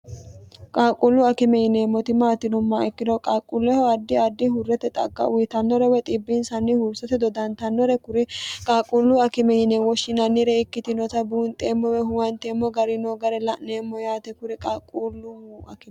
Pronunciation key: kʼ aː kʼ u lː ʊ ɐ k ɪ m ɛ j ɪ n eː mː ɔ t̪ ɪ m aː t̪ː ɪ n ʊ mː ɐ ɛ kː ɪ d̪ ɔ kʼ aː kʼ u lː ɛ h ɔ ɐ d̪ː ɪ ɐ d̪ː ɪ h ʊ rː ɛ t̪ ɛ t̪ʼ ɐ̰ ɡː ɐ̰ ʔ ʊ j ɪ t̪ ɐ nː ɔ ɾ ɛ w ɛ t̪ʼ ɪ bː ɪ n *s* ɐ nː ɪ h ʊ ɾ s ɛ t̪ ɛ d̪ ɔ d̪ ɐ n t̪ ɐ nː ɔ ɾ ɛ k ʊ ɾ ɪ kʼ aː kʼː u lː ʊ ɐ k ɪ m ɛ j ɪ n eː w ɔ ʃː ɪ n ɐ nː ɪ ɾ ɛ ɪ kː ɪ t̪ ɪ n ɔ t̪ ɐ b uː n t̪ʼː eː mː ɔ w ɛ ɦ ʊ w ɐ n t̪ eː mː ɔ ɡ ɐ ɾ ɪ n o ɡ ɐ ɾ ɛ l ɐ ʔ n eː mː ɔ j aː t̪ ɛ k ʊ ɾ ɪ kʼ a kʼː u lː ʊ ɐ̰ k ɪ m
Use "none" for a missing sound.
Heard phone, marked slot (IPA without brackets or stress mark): s